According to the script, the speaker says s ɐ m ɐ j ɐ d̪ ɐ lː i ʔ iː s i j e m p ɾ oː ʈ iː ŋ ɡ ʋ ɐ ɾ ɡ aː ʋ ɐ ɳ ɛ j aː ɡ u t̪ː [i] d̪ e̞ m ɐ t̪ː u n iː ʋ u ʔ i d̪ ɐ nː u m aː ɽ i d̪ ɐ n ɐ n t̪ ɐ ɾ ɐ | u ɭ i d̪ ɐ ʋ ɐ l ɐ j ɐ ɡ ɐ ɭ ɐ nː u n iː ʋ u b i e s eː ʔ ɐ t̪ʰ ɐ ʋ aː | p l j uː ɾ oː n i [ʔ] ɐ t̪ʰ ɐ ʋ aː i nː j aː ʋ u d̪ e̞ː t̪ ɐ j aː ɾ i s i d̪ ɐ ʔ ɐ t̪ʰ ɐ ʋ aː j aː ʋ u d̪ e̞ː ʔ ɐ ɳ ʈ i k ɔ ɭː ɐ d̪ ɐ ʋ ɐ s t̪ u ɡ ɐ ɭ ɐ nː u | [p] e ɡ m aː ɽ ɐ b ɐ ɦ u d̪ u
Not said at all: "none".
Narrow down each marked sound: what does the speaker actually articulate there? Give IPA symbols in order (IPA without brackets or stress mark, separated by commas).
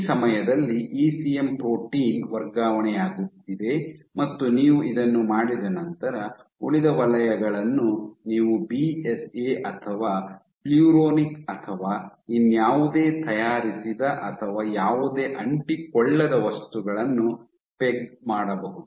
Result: i, k, p